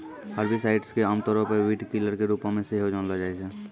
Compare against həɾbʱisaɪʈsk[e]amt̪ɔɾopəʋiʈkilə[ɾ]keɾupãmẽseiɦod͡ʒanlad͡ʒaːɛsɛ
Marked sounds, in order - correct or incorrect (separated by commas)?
correct, correct